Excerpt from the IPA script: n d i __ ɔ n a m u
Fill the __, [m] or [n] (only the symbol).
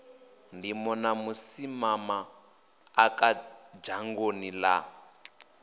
m